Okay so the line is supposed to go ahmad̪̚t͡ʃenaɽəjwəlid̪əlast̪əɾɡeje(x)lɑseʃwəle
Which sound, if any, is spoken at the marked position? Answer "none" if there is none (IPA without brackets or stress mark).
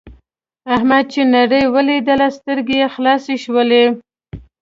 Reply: x